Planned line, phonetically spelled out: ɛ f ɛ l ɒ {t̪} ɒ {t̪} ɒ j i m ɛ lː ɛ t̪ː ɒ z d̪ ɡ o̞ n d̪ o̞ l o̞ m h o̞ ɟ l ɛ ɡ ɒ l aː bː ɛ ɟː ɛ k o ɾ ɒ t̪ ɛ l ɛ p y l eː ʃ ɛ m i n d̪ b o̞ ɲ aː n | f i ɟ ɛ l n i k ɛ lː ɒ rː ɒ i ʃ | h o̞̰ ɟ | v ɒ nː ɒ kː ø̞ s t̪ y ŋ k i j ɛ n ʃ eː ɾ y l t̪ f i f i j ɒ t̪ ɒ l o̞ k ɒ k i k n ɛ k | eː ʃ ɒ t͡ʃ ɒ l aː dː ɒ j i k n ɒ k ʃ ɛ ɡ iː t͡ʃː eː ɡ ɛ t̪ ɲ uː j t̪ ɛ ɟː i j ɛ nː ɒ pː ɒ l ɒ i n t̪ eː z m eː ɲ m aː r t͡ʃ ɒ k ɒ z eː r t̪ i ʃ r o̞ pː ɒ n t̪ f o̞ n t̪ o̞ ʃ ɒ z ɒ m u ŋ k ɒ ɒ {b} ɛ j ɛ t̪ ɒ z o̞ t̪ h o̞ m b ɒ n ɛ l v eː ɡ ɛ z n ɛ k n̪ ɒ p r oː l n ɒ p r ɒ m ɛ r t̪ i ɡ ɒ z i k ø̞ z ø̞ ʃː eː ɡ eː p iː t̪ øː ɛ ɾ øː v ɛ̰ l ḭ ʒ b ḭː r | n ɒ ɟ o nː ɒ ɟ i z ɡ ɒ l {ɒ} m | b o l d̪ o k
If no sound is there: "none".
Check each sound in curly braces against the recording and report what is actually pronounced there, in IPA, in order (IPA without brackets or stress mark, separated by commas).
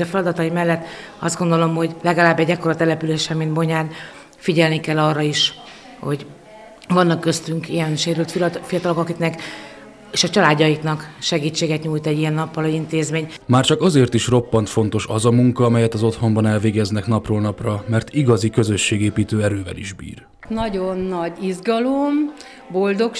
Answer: d̪, t̪, m, o